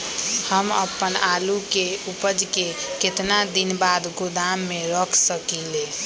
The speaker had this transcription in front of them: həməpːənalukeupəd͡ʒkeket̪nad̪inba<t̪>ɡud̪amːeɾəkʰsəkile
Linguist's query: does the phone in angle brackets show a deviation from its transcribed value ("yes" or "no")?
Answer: yes